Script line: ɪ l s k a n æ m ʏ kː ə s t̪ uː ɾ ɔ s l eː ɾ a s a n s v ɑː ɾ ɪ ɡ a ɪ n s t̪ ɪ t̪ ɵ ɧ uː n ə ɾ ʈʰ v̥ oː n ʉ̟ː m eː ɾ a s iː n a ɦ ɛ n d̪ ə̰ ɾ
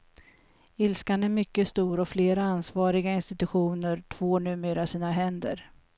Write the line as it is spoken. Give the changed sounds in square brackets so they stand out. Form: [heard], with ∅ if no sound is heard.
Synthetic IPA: ɪ l s k a n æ m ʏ kː ə s t̪ uː ɾ ɔ [f] l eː ɾ a [∅] a n s v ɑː ɾ ɪ ɡ a ɪ n s t̪ ɪ t̪ ɵ ɧ uː n ə ɾ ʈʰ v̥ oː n ʉ̟ː m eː ɾ a s iː n a ɦ ɛ n d̪ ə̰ ɾ